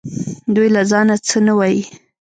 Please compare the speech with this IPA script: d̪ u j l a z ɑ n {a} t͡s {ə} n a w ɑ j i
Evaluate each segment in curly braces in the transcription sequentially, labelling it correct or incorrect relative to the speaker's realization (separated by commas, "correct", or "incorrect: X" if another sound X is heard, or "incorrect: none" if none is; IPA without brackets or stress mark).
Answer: correct, correct